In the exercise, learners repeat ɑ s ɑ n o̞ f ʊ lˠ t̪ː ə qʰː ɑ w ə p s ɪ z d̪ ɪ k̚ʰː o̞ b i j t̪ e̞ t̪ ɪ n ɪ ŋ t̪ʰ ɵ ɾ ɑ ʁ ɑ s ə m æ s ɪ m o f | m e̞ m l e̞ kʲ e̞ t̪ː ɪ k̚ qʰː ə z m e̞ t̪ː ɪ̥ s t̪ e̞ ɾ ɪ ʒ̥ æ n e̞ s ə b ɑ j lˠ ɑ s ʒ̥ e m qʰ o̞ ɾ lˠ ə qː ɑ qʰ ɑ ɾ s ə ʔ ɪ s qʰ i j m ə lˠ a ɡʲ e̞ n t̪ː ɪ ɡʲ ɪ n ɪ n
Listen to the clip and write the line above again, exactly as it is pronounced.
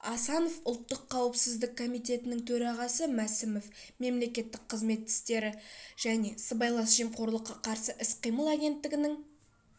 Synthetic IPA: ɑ s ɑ n o̞ f ʊ lˠ t̪ː ə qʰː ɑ w ə p s ɪ z d̪ ɪ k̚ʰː o̞ m i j t̪ e̞ t̪ ɪ n ɪ ŋ t̪ʰ ɵ ɾ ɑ ʁ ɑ s ə m æ s ɪ m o f | m e̞ m l e̞ kʲ e̞ t̪ː ɪ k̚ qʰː ə z m e̞ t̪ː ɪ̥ s t̪ e̞ ɾ ɪ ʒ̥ æ n e̞ s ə b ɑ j lˠ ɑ s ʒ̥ e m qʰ o̞ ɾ lˠ ə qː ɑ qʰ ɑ ɾ s ə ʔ ɪ s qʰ i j m ə lˠ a ɡʲ e̞ n t̪ː ɪ ɡʲ ɪ n ɪ ŋ